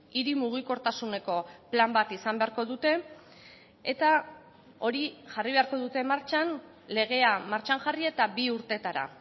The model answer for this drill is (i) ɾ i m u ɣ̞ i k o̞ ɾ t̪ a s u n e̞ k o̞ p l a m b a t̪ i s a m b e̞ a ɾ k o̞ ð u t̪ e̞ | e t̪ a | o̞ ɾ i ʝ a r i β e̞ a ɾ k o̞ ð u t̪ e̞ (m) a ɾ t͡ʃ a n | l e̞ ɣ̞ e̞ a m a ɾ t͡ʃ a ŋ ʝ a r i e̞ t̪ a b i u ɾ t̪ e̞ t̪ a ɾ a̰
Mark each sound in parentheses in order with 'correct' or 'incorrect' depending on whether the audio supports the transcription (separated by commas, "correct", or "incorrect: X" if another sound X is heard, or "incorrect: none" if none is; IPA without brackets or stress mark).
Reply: correct, correct